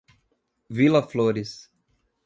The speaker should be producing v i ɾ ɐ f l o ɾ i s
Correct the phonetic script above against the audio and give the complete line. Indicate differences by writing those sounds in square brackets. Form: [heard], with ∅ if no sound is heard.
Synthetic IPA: v i [l] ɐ f l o ɾ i s